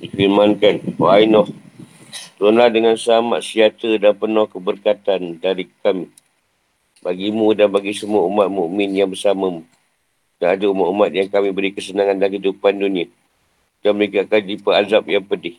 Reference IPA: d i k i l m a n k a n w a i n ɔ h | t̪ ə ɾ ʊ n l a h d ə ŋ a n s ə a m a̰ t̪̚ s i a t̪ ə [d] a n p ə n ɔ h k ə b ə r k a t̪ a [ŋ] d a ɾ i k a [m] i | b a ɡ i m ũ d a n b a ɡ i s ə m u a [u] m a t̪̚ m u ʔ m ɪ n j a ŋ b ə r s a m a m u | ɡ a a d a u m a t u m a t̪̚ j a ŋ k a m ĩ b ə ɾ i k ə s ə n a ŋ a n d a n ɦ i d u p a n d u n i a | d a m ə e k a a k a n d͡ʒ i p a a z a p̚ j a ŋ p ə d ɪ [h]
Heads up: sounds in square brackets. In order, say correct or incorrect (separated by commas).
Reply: correct, incorrect, correct, correct, correct